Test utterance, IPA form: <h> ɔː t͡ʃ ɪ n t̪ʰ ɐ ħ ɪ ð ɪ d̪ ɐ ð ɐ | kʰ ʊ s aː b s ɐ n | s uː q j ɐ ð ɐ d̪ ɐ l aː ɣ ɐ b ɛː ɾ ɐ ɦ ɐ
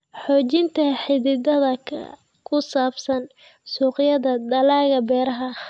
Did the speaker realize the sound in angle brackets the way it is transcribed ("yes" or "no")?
no